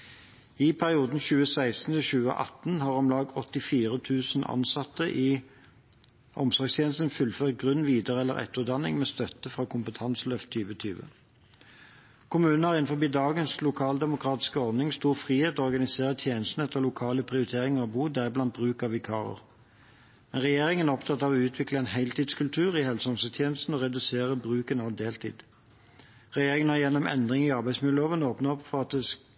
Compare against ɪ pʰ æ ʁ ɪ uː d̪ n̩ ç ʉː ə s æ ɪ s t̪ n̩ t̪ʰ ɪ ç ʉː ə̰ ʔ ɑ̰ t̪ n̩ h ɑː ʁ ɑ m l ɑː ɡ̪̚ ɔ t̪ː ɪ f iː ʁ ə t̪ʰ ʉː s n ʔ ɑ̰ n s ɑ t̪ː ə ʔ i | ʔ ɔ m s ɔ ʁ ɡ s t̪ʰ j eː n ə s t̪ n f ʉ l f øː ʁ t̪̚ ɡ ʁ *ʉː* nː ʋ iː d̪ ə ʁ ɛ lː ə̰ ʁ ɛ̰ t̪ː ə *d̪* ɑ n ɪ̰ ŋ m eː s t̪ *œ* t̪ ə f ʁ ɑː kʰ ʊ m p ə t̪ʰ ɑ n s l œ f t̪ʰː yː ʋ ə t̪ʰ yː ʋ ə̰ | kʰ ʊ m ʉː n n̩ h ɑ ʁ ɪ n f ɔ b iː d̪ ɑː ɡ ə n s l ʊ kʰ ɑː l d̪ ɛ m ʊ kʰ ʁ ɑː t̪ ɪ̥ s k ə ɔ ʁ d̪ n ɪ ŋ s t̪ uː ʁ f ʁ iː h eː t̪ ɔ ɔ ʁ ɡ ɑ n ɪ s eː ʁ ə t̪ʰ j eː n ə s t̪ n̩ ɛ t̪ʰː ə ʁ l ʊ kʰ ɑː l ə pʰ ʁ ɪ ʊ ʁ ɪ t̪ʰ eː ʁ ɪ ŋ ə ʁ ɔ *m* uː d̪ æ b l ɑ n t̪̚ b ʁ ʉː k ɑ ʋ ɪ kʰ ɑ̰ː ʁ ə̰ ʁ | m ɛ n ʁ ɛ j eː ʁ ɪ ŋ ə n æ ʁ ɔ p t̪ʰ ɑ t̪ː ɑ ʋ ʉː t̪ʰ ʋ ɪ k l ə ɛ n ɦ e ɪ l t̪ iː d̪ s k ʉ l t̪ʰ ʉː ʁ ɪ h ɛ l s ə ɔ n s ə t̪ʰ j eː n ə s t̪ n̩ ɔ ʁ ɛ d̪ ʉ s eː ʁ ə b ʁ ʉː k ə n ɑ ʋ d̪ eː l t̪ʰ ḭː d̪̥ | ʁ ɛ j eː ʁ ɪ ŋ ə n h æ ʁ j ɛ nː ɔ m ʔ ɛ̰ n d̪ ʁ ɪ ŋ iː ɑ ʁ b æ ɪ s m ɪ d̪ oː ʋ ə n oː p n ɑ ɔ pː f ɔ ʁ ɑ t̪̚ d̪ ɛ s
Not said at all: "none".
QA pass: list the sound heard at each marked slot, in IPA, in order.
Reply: ʉ, d̪, œ, b

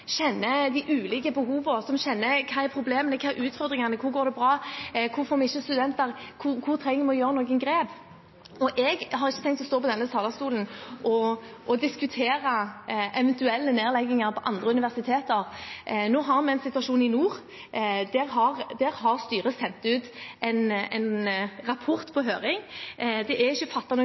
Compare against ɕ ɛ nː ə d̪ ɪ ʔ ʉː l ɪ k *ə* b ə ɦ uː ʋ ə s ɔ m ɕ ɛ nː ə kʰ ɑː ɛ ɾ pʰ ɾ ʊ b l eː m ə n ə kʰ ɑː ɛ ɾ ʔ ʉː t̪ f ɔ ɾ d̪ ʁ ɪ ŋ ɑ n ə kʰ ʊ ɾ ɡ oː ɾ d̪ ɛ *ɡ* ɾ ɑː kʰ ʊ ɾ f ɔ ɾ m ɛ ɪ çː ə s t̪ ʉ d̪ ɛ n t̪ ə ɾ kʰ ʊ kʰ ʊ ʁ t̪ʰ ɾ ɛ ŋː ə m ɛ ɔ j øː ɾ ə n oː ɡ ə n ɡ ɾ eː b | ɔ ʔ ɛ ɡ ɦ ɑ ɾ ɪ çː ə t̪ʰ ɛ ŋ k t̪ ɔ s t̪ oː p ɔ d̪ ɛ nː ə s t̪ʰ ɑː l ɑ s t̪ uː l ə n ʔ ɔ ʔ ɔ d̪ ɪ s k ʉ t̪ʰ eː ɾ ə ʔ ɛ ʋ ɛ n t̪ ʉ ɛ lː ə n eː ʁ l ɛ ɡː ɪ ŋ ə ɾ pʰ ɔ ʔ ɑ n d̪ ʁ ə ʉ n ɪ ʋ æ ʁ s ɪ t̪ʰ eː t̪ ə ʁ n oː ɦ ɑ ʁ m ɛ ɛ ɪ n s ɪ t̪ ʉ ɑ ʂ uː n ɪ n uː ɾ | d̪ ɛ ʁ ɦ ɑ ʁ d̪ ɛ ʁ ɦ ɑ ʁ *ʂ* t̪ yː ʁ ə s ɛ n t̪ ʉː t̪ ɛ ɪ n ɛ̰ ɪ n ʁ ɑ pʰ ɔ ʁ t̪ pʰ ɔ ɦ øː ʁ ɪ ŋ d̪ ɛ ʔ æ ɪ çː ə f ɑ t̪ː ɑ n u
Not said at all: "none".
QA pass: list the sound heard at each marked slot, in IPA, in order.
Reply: ə, b, s

